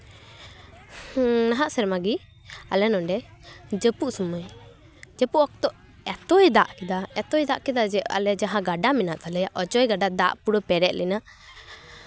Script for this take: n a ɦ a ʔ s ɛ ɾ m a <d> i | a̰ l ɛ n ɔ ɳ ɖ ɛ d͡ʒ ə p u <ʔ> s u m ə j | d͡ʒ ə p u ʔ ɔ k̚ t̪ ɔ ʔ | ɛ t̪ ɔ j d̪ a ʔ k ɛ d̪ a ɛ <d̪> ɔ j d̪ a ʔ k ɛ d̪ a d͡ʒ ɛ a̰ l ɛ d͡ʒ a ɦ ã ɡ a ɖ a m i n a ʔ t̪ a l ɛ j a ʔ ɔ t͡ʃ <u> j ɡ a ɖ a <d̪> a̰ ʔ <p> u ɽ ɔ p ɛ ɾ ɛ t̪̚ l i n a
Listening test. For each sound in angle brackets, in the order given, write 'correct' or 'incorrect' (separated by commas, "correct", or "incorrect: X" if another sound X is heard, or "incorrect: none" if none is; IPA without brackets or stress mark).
incorrect: ɡ, correct, incorrect: t̪, incorrect: ɔ, correct, correct